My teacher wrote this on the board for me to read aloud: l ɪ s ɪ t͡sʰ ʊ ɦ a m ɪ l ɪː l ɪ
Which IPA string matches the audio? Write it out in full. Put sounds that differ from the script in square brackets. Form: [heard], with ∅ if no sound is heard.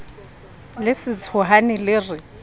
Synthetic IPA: l ɪ s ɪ t͡sʰ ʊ ɦ a [n] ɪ l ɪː [r] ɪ